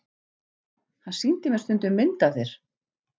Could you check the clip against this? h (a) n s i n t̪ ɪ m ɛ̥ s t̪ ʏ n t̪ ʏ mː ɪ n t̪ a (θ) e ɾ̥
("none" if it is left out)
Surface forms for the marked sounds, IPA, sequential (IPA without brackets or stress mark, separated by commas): a, θ